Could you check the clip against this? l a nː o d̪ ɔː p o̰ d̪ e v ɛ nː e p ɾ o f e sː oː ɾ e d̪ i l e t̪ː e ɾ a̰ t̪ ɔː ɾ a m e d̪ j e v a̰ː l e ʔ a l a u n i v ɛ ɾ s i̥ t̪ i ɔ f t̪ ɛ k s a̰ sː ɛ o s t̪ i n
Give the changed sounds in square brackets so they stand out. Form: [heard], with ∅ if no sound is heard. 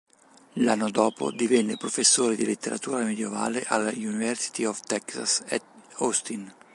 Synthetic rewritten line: l a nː o d̪ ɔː p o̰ d̪ [i] v ɛ nː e p ɾ o f e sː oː ɾ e d̪ i l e t̪ː e ɾ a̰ t̪ [uː] ɾ a m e d̪ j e v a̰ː l e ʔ a l a u n i v ɛ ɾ s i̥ t̪ i ɔ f t̪ ɛ k s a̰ [s] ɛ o s t̪ i n

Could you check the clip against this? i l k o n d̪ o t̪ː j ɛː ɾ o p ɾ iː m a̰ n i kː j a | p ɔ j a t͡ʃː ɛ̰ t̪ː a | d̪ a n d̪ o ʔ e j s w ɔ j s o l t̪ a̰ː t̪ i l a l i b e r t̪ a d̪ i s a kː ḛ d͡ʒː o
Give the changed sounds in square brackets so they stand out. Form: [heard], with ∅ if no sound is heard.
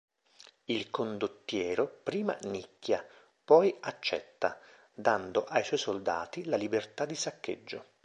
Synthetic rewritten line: i l k o n d̪ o t̪ː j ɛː ɾ o p ɾ iː m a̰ n i kː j a | p ɔ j a t͡ʃː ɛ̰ t̪ː a | d̪ a n d̪ o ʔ [a] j s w ɔ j s o l [d̪] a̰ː t̪ i l a l i b e r t̪ a d̪ i s a kː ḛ d͡ʒː o

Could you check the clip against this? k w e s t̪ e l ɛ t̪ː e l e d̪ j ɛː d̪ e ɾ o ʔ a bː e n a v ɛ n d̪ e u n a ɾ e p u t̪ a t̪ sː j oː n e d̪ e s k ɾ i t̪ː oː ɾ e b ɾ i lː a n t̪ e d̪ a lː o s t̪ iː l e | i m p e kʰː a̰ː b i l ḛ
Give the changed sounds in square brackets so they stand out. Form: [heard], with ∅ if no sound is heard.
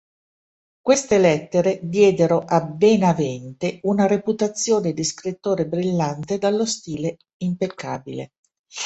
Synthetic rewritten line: k w e s t̪ e l ɛ t̪ː e [ɾ] e d̪ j ɛː d̪ e ɾ o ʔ a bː e n a v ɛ n [t̪] e u n a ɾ e p u t̪ a t̪ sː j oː n e d̪ [i] s k ɾ i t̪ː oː ɾ e b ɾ i lː a n t̪ e d̪ a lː o s t̪ iː l e | i m p e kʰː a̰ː b i l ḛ

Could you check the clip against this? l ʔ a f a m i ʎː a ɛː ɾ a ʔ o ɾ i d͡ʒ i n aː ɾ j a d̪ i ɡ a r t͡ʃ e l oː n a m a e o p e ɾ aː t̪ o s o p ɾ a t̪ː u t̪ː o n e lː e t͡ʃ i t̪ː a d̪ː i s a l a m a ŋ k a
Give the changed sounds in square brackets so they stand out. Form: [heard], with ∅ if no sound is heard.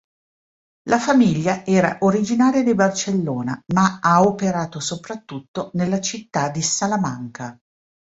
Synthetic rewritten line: l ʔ a f a m i ʎː a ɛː ɾ a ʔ o ɾ i d͡ʒ i n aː ɾ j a d̪ i [b] a r t͡ʃ e [lː] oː n a m a [a] o p e ɾ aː t̪ o s o p ɾ a t̪ː u t̪ː o n e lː [a] t͡ʃ i t̪ː a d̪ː i s a l a m a ŋ k a

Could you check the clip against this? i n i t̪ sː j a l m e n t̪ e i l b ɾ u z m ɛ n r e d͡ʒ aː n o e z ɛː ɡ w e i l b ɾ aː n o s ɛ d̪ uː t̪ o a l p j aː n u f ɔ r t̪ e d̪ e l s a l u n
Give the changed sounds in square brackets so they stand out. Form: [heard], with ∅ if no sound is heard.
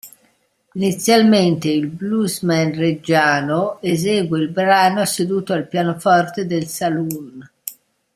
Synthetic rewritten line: i n i t̪ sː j a l m e n t̪ e i l b [l] u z m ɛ n r e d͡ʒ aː n o e z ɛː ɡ w e i l b ɾ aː n o s [e] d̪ uː t̪ o a l p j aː n [o] f ɔ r t̪ e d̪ e l s a l u n

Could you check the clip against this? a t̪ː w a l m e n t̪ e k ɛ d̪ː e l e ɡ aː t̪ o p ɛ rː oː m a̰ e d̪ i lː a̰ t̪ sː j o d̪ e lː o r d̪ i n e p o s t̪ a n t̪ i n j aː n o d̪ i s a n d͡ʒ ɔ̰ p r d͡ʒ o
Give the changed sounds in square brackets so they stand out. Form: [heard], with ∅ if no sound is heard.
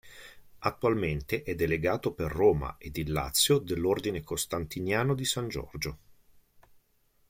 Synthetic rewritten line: a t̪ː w a l m e n t̪ e [ʔ] ɛ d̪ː e l e ɡ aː t̪ o p [e] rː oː m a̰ e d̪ i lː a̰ t̪ sː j o d̪ e lː o r d̪ i n e [k] o s t̪ a n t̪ i n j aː n o d̪ i s a n d͡ʒ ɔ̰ [∅] r d͡ʒ o

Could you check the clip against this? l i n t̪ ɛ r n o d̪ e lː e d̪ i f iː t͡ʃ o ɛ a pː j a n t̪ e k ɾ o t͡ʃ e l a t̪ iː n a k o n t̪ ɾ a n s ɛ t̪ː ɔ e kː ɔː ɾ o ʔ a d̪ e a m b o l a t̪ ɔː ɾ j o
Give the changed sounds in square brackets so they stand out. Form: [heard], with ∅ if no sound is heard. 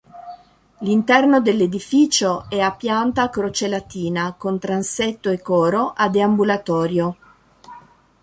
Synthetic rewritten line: l i n t̪ ɛ r n o d̪ e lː e d̪ i f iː t͡ʃ o ɛ a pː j a n t̪ [a] k ɾ o t͡ʃ e l a t̪ iː n a k o n t̪ ɾ a n s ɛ t̪ː [o] e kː ɔː ɾ o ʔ a d̪ e a m b [u] l a t̪ ɔː ɾ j o

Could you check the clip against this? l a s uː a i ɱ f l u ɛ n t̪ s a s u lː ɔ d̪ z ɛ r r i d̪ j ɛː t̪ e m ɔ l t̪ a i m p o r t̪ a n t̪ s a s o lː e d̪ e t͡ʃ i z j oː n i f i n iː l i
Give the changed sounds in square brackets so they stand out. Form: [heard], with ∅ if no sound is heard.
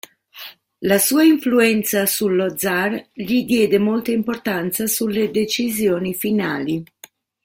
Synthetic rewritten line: l a s uː a i ɱ f l u ɛ n t̪ s a s u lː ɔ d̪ z [a] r [ʎ] i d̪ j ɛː [d̪] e m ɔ l t̪ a i m p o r t̪ a n t̪ s a s [u] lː e d̪ e t͡ʃ i z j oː n i f i n [aː] l i

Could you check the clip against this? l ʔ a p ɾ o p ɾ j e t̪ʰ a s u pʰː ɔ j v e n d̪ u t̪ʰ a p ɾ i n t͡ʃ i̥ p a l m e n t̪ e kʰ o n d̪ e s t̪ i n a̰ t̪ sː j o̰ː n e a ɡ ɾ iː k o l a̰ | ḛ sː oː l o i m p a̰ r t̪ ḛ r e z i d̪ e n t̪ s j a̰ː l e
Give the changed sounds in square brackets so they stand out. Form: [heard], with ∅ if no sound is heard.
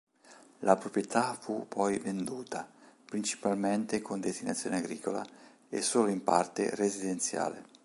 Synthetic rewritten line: l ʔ a p ɾ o p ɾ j e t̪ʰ a [f] u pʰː ɔ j v e n d̪ [uː] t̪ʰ a p ɾ i n t͡ʃ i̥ p a l m e n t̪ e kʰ o n d̪ e s t̪ i n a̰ t̪ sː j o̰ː n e a ɡ ɾ iː k o l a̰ | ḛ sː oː l o i m p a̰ r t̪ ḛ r e z i d̪ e n t̪ s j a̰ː l e

